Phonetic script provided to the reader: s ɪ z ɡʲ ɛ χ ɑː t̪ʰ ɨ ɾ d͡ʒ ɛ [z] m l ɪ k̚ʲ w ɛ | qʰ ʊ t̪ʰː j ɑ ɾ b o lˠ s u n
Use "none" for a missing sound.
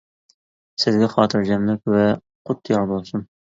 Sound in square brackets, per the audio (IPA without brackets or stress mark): none